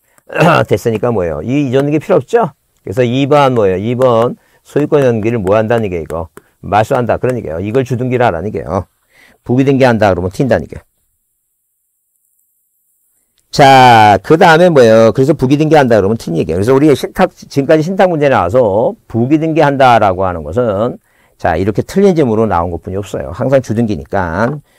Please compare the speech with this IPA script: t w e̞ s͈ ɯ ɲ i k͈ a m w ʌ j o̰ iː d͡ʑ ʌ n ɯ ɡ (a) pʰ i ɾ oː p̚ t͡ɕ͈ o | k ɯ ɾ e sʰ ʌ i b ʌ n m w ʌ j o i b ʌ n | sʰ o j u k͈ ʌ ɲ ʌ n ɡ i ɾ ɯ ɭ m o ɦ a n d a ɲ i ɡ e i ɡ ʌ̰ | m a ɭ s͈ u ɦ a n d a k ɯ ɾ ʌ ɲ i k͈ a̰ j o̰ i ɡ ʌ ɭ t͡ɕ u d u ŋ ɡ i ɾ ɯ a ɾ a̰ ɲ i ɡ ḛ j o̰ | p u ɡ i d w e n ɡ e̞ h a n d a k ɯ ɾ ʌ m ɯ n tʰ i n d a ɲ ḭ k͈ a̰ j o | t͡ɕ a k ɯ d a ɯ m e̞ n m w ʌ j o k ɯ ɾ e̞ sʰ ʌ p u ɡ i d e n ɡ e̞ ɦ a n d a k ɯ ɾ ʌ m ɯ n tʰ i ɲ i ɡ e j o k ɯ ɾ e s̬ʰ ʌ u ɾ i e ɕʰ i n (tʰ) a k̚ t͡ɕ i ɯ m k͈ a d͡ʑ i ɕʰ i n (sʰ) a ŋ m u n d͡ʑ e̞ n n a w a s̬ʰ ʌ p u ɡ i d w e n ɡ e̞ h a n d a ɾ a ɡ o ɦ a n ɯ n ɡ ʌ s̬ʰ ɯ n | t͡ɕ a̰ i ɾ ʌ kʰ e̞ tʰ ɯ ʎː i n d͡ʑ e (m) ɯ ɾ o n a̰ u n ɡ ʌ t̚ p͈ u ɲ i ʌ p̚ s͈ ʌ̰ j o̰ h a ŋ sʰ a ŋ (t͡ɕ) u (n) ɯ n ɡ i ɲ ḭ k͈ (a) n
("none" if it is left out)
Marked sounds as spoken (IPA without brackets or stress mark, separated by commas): e, tʰ, tʰ, m, t͡ɕ, d, a